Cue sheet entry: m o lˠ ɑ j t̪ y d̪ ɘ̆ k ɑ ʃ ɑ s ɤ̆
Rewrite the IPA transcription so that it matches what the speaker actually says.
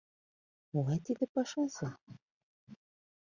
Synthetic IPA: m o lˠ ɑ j t̪ i d̪ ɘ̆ p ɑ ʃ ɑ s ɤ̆